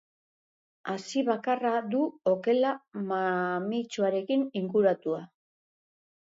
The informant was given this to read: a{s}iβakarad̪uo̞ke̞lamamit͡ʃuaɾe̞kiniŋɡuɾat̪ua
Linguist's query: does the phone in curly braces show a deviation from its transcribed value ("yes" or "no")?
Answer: no